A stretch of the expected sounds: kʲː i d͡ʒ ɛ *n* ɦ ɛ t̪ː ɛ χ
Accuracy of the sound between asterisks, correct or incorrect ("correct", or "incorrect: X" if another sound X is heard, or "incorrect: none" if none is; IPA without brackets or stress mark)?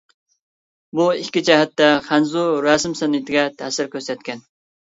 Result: incorrect: none